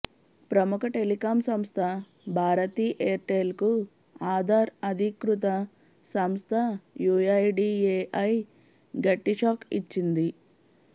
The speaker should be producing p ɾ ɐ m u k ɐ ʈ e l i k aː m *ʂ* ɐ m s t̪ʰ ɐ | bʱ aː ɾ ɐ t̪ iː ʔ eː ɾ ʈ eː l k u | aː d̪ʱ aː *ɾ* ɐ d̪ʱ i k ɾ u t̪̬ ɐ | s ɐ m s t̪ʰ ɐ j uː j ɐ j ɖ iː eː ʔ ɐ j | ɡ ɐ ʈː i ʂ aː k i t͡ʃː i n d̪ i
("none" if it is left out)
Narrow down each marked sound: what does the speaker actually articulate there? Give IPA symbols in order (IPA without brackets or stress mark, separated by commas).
s, ɾ